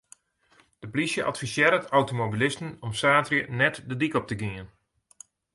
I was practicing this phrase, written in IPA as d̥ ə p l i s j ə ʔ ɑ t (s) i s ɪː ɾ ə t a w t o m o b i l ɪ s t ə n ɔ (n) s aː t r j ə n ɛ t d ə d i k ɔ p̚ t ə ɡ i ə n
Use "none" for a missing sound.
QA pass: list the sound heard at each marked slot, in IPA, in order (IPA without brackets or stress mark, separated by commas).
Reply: f, m